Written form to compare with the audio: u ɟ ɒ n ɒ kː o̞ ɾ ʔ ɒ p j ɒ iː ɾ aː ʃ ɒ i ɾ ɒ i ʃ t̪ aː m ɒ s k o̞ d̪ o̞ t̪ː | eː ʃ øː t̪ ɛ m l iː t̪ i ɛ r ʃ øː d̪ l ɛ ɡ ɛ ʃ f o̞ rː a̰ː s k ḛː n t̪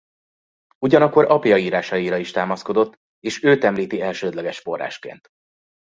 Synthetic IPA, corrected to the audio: u ɟ ɒ n ɒ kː o̞ ɾ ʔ ɒ p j ɒ iː ɾ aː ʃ ɒ i ɾ ɒ i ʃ t̪ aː m ɒ s k o̞ d̪ o̞ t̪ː | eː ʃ øː t̪ ɛ m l iː t̪ i ɛ l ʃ øː d̪ l ɛ ɡ ɛ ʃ f o̞ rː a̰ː ʃ k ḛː n t̪